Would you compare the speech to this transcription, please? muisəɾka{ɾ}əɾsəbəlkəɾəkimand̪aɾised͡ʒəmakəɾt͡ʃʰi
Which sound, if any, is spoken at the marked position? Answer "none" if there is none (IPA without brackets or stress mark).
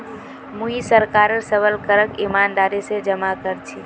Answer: ɾ